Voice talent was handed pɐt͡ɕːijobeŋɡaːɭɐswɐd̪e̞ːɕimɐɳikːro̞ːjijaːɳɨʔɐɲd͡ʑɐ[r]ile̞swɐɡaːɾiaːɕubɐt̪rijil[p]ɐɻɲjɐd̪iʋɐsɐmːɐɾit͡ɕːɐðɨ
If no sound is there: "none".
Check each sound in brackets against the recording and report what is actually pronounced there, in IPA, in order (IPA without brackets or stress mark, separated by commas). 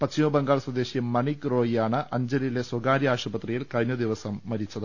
l, k